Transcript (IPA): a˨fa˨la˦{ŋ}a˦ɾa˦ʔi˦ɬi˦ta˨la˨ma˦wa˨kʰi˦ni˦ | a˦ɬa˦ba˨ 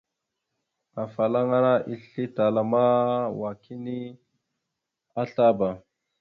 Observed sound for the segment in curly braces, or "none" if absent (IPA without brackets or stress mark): ŋ